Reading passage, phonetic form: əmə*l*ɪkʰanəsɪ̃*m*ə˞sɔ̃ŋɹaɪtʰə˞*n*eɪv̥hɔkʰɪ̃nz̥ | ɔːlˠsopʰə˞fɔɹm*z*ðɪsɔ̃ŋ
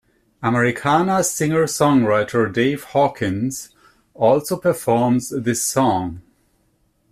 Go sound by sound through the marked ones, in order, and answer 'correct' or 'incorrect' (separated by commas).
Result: incorrect, incorrect, incorrect, correct